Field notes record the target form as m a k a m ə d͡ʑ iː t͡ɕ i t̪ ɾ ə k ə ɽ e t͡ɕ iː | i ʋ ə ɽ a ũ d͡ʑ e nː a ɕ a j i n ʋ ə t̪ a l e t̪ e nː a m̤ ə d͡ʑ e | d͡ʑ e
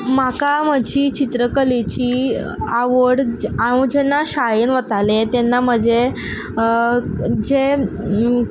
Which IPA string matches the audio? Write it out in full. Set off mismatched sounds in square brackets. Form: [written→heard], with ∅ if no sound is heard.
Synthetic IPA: m a k a m ə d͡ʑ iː t͡ɕ i t̪ ɾ ə k ə [ɽ→l] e t͡ɕ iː | [i→a] ʋ ə ɽ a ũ d͡ʑ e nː a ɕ a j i n ʋ ə t̪ a l e t̪ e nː a m̤ ə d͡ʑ e | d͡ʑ e